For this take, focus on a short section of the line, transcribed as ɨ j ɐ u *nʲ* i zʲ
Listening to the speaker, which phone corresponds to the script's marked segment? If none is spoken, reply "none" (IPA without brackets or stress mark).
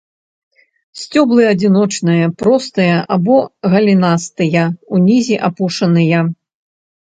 nʲ